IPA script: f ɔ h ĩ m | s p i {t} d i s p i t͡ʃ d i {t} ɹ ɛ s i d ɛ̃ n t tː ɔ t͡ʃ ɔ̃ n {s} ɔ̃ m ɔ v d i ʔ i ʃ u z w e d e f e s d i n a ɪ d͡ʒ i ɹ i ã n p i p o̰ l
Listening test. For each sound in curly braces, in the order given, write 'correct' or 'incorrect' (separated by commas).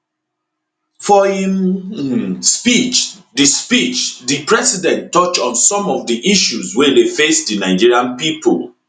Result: incorrect, incorrect, correct